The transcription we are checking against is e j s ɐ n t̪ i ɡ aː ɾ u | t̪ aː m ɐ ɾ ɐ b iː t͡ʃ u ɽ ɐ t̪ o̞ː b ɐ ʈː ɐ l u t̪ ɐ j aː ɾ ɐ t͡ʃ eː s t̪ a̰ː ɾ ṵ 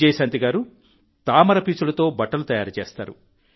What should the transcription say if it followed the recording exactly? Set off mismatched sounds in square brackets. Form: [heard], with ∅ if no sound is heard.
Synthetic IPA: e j s ɐ n t̪ i ɡ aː ɾ u | t̪ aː m ɐ ɾ ɐ [p] iː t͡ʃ u [l] ɐ t̪ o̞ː b ɐ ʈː ɐ l u t̪ ɐ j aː ɾ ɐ t͡ʃ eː s t̪ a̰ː ɾ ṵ